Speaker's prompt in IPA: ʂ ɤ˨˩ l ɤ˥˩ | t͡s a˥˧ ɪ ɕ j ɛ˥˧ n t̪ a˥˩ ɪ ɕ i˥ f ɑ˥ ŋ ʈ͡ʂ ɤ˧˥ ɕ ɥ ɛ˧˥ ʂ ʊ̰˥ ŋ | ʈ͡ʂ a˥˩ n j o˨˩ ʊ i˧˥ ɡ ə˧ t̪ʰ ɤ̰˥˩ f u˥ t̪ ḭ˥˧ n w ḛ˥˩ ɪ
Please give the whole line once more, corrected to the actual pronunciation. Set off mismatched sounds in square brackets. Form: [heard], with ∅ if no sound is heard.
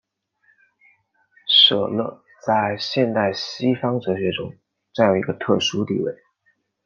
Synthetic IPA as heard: ʂ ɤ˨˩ l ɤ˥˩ | t͡s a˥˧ ɪ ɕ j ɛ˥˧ n t̪ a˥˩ ɪ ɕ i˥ f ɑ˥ ŋ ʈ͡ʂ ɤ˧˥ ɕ ɥ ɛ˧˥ [ʈ͡ʂ] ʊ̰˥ ŋ | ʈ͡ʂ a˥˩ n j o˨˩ ʊ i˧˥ ɡ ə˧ t̪ʰ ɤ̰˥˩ [ʂ] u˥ t̪ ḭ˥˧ [∅] w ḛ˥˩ ɪ

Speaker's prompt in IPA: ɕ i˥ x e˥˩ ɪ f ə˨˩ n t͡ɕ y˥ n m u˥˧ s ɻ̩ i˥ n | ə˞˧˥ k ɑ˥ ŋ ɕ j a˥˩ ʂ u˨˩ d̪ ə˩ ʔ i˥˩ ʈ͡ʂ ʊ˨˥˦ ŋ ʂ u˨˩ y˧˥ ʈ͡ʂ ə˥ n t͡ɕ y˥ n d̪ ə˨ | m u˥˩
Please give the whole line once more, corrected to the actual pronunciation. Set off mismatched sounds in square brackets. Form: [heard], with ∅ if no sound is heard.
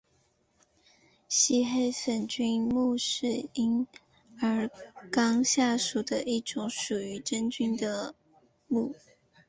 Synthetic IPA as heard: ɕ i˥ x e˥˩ ɪ f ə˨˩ n t͡ɕ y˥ n m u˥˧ [ʂ] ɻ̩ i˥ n | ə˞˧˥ k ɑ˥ ŋ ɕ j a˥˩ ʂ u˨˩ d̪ [ə˦] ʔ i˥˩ ʈ͡ʂ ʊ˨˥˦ ŋ ʂ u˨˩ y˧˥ ʈ͡ʂ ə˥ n t͡ɕ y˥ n d̪ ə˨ | m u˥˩

